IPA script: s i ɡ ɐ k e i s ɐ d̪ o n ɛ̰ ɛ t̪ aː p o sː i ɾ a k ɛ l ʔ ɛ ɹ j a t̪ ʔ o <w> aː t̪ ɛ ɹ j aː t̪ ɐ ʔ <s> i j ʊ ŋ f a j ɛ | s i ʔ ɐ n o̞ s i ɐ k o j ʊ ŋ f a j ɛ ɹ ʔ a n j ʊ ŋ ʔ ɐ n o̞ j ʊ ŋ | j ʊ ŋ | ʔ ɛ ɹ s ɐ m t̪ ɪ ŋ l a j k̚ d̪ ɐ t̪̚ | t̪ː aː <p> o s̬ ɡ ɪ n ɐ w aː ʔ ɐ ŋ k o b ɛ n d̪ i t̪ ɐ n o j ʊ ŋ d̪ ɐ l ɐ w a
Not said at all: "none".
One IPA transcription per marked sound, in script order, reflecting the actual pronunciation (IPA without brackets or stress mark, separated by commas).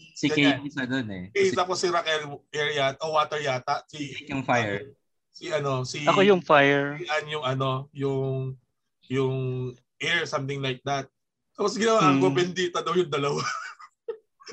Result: w, s, p